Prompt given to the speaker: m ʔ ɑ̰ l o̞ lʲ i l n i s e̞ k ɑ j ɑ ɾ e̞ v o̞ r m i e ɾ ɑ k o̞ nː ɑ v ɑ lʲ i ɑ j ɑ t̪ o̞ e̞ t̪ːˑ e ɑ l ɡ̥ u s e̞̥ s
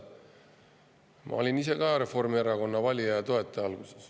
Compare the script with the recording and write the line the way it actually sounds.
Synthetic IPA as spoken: m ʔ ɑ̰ o̞ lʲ i n i s e̞ k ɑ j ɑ ɾ e̞ f o̞ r m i e ɾ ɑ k o̞ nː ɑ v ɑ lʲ i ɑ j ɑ t̪ o̞ e̞ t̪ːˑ e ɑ l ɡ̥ u s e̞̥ s